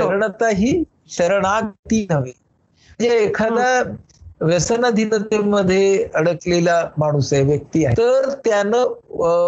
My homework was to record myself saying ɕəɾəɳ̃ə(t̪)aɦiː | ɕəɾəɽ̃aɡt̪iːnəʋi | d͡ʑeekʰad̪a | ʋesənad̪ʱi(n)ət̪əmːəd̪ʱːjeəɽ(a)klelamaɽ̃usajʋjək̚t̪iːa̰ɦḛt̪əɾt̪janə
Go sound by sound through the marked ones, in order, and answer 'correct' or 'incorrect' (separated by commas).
correct, correct, incorrect